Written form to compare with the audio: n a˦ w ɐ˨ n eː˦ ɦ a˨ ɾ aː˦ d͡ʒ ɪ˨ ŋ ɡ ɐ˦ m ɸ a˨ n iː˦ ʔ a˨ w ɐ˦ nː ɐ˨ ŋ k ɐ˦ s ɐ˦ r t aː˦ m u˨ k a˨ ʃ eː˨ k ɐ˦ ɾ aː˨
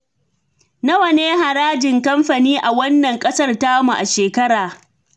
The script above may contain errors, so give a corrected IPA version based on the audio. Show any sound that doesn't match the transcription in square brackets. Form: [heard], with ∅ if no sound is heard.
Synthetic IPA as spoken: n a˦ w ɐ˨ n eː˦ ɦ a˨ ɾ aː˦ d͡ʒ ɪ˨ ŋ [k] ɐ˦ m ɸ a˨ n iː˦ ʔ a˨ w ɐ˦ nː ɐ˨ ŋ [kʼ] ɐ˦ s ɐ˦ r t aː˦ m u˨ [ʔ] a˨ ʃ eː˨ k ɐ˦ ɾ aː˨